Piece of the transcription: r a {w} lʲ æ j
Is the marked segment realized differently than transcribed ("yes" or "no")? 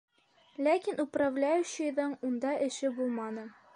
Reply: yes